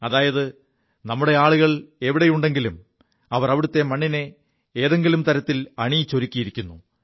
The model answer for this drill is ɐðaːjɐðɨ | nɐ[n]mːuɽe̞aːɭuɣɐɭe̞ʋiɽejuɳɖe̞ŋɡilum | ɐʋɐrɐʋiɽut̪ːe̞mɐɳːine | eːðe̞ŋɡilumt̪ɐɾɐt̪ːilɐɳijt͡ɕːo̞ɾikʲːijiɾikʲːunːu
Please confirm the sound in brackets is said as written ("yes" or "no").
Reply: no